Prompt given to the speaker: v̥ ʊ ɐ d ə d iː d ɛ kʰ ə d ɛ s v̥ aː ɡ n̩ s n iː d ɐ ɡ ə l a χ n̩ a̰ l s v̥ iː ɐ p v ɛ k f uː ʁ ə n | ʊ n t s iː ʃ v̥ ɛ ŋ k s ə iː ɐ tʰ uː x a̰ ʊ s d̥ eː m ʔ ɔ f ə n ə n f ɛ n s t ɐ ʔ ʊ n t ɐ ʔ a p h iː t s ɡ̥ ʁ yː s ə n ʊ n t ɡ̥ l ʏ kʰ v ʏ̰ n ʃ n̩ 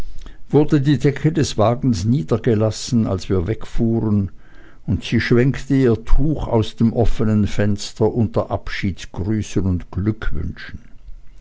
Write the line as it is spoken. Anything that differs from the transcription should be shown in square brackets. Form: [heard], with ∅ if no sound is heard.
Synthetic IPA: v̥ ʊ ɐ d ə d iː d ɛ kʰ ə d ɛ s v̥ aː ɡ n̩ s n iː d ɐ ɡ ə l a [s] n̩ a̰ l s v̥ iː ɐ [∅] v ɛ k f uː ʁ ə n | ʊ n t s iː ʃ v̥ ɛ ŋ k [t] ə iː ɐ tʰ uː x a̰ ʊ s d̥ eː m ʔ ɔ f ə n ə n f ɛ n s t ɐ ʔ ʊ n t ɐ ʔ a p [ʃ] iː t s ɡ̥ ʁ yː s ə n ʊ n t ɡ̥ l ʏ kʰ v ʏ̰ n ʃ n̩